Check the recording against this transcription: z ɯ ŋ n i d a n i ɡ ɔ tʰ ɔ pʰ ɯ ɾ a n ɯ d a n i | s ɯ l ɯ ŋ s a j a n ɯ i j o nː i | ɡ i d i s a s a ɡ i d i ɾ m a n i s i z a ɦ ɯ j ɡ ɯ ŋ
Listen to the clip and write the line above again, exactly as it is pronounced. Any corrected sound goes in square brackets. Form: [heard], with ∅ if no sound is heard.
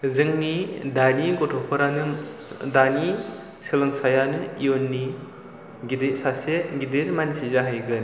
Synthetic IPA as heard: z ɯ ŋ n i d a n i ɡ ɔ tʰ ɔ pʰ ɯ ɾ a n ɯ d a n i | s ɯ l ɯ ŋ s a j a n ɯ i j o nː i | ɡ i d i s a s [e] ɡ i d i ɾ m a n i s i z a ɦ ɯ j ɡ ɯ [n]

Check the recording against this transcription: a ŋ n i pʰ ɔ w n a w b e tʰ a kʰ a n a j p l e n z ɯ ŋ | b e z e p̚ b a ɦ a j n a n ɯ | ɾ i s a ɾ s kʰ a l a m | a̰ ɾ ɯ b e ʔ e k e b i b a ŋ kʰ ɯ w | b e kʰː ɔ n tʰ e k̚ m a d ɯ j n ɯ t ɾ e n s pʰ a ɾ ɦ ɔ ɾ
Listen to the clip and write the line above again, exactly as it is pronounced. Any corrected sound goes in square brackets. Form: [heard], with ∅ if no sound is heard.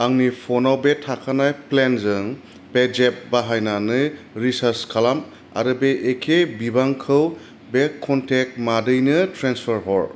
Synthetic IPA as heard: a ŋ n i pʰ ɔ [∅] n a w b e tʰ a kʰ a n a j p l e n z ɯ ŋ | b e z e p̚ b a ɦ a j n a n ɯ | ɾ i s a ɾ s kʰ a l a m | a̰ ɾ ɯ b e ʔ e [kʰ] e b i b a ŋ kʰ ɯ w | b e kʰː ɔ n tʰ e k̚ m a d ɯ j n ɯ t ɾ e n s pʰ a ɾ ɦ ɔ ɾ

